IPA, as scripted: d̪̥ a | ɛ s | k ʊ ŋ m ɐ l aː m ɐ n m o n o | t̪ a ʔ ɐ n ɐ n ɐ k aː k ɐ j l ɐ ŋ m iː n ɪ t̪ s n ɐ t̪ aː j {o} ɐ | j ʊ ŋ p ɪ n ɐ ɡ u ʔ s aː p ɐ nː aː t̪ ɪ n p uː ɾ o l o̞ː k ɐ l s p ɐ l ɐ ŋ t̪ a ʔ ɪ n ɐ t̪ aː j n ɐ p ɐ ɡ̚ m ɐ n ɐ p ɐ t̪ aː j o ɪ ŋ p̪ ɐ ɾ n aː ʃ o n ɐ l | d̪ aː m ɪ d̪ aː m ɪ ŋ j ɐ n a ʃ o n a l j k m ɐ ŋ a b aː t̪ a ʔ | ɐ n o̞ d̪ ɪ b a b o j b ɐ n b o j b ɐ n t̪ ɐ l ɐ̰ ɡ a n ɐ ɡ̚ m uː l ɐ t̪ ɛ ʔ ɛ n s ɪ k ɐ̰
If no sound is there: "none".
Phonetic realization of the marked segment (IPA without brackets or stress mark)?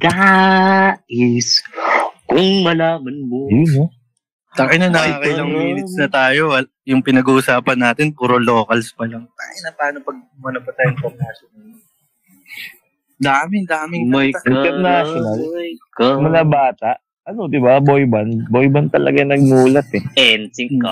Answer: o